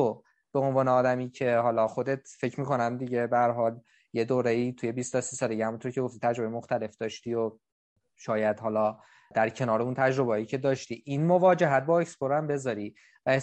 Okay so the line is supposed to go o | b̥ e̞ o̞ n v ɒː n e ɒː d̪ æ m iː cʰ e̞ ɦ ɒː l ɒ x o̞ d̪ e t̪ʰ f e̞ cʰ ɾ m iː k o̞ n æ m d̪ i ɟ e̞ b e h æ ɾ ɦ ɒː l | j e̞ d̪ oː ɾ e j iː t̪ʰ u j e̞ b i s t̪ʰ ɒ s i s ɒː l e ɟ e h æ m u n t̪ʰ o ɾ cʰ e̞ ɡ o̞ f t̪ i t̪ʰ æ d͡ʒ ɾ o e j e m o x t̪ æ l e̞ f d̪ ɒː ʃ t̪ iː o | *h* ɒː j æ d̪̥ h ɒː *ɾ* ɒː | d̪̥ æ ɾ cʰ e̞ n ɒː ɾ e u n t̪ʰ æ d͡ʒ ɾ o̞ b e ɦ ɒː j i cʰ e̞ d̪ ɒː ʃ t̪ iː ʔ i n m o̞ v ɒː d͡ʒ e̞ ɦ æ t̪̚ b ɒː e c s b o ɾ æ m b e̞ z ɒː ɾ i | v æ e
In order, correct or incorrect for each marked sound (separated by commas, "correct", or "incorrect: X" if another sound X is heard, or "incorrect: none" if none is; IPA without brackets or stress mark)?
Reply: incorrect: ʃ, incorrect: l